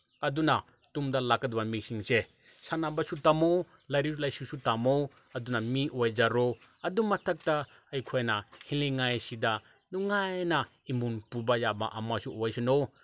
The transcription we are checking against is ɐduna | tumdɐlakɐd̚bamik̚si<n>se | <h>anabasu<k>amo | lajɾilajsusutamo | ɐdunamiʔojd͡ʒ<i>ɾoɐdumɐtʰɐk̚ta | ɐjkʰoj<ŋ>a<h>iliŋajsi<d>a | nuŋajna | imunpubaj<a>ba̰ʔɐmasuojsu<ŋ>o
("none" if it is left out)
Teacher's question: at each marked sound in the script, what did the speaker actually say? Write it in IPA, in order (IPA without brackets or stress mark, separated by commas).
ŋ, s, t, a, n, h, d, a, n